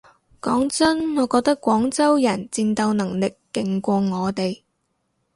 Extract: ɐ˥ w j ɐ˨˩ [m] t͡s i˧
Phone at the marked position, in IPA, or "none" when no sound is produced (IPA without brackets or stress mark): n